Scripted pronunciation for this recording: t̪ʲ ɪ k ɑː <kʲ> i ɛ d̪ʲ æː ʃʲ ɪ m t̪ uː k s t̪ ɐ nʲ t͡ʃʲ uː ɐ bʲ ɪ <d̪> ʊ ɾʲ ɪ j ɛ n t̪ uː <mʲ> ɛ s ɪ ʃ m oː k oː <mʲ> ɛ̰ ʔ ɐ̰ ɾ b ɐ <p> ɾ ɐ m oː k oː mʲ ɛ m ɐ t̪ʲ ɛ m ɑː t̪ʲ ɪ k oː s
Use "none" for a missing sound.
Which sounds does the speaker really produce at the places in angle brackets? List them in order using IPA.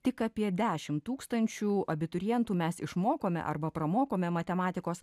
pʲ, t̪, mʲ, mʲ, p

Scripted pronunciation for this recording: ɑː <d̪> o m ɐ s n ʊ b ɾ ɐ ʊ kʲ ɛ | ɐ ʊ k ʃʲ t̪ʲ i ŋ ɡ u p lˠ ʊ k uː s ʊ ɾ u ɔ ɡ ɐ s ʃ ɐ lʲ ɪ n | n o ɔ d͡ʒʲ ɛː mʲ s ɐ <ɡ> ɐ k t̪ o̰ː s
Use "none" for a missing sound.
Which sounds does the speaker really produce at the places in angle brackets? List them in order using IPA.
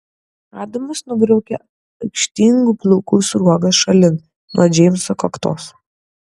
d̪, k

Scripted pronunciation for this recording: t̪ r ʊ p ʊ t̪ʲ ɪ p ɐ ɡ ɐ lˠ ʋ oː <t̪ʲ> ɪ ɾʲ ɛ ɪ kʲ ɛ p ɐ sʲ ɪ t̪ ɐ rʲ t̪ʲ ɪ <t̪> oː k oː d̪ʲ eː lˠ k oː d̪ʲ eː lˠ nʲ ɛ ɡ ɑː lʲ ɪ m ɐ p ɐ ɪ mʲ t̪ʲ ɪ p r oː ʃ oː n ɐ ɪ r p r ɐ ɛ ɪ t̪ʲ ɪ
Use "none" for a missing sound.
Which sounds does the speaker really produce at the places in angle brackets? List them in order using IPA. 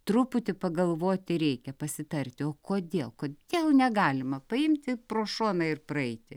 t̪ʲ, none

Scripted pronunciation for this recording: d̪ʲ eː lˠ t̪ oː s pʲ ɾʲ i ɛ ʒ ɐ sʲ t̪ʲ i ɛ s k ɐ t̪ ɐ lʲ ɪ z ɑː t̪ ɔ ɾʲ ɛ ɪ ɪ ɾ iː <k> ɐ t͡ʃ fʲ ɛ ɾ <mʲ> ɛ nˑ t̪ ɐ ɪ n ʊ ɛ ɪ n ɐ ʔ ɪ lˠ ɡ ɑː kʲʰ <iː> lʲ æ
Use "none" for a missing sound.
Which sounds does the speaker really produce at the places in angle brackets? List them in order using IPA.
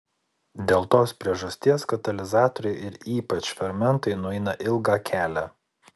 p, mʲ, æː

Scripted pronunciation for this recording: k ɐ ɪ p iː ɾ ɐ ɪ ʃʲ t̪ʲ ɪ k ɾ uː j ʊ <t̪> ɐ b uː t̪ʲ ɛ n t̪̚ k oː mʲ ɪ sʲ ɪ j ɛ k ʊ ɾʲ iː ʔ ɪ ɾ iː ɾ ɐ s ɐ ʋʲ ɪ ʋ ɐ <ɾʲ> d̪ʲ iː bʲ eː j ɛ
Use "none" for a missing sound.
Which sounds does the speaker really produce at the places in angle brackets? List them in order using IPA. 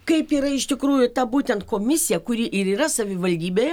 t̪, lʲ

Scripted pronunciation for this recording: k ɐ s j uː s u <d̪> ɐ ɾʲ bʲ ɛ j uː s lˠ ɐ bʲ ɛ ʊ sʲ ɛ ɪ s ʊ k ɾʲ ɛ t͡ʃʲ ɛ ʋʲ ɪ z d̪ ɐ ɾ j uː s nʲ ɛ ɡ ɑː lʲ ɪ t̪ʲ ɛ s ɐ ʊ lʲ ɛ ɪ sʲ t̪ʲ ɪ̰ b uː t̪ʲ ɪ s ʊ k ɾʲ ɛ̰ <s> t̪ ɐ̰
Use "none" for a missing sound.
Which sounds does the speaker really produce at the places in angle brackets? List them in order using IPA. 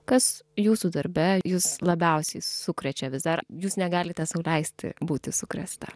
d̪, s

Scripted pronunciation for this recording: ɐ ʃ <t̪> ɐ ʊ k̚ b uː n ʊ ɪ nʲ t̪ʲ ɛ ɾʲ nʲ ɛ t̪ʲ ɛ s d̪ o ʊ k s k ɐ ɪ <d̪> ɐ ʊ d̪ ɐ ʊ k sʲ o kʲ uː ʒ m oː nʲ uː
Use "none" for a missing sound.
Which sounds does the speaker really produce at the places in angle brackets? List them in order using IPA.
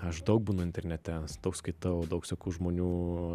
d̪, t̪

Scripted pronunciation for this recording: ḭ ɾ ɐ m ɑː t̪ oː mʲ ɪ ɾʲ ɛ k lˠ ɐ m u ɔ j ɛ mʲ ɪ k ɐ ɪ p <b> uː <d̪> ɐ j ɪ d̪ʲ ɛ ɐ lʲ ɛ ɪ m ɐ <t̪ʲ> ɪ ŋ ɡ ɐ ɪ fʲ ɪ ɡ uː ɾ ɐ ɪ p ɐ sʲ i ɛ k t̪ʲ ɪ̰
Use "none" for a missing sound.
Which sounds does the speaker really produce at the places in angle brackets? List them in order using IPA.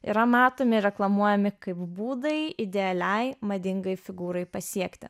b, d̪, d̪ʲ

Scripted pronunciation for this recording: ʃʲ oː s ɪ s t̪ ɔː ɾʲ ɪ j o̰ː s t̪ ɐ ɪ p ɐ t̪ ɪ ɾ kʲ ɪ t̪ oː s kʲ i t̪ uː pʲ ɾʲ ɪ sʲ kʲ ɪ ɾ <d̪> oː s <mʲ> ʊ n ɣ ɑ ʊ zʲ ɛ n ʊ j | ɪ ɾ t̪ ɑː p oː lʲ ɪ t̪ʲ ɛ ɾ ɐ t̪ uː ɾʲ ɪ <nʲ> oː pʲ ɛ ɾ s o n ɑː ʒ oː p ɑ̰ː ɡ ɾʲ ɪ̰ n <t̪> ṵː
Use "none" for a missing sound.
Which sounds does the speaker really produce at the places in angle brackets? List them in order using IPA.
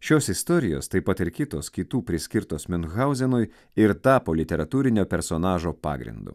t̪, mʲ, nʲ, d̪

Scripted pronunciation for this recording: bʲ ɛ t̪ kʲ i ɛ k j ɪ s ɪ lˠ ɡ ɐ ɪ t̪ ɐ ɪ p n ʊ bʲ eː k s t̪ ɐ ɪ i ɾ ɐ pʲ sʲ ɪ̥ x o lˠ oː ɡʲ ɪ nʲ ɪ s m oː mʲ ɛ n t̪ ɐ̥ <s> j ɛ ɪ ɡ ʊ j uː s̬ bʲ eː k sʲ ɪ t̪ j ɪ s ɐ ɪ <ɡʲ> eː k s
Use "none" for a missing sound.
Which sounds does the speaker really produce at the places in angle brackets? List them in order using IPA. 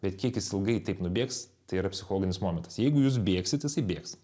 s, bʲ

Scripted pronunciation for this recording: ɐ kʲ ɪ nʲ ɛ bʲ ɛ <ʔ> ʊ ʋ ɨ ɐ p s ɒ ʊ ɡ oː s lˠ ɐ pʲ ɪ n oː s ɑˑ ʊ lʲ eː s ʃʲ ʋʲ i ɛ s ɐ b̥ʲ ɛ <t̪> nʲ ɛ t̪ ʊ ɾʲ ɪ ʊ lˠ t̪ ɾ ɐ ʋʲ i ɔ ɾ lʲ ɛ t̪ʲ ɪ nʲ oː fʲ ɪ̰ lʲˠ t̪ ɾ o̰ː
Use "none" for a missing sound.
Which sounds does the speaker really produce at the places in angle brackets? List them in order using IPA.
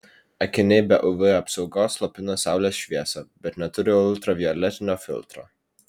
ʔ, t̪

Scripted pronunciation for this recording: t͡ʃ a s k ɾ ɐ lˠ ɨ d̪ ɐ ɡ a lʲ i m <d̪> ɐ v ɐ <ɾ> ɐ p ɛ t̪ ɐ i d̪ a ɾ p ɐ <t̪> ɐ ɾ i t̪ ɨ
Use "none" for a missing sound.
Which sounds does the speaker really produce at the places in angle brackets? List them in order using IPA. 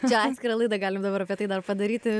d̪, ɾ, d̪

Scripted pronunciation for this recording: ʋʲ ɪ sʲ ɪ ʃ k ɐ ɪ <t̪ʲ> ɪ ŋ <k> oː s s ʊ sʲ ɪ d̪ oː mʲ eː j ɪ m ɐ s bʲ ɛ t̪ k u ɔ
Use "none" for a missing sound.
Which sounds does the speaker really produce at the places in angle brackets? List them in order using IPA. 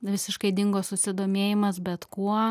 d̪ʲ, ɡ

